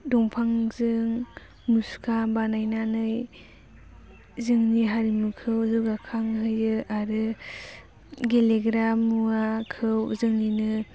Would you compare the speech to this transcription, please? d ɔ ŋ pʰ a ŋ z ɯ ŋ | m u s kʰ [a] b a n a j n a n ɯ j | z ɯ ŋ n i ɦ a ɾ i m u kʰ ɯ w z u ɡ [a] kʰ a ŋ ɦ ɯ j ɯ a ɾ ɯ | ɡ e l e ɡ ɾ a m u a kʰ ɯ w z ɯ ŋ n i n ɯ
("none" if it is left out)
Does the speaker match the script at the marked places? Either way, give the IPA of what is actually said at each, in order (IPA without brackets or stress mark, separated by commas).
a, a